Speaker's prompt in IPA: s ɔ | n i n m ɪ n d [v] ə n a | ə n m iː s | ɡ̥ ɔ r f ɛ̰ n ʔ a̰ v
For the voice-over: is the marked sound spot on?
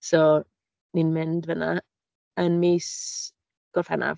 yes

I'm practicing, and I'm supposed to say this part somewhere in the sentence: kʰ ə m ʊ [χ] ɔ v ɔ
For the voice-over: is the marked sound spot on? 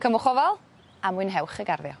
yes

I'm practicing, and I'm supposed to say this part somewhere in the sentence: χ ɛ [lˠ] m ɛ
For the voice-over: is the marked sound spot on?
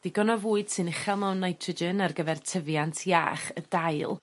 yes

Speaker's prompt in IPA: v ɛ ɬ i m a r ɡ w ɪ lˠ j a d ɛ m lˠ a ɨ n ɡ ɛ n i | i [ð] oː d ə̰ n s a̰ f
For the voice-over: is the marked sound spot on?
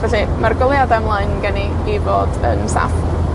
no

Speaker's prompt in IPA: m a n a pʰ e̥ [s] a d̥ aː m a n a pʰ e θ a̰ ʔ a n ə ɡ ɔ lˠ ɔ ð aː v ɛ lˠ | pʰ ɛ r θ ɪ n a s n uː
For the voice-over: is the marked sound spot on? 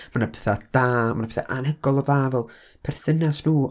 no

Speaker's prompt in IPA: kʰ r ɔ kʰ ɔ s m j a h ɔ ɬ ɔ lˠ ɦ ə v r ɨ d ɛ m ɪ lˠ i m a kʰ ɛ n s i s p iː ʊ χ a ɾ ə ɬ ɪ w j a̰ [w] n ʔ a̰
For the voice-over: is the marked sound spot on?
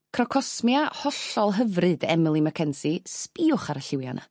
no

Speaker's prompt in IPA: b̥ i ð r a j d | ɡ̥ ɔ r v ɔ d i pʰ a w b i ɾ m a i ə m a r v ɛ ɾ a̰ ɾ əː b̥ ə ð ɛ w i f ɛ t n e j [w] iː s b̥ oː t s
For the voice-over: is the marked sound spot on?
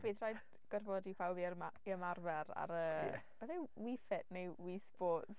yes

